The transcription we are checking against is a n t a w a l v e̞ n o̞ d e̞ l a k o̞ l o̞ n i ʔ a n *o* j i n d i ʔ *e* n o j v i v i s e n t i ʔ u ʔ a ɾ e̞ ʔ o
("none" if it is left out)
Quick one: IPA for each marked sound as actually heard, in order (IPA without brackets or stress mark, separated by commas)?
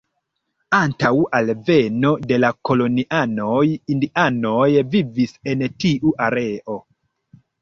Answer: o, a